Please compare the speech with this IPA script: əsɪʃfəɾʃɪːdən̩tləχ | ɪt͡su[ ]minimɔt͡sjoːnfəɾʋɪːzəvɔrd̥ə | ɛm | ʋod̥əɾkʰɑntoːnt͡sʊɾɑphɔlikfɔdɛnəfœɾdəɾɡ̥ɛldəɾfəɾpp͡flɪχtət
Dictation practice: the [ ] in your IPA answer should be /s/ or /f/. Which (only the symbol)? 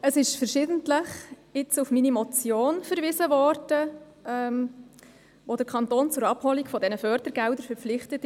f